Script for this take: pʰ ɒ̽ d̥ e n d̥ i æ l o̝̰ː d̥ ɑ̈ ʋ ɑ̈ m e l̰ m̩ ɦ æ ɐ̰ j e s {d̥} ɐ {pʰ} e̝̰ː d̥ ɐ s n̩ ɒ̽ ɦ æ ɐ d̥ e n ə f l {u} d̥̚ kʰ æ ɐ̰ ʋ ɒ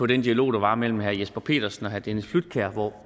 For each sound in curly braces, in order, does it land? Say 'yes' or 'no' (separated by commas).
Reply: no, yes, yes